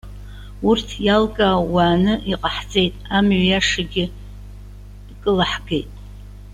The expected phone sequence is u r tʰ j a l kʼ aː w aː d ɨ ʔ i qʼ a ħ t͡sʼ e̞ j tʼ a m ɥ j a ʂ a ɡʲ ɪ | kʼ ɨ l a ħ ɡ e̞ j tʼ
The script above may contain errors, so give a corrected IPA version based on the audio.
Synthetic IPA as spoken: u r tʰ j a l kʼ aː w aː n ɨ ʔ i qʼ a ħ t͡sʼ e̞ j tʼ a m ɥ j a ʂ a ɡʲ ɪ | kʼ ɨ l a ħ ɡ e̞ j tʼ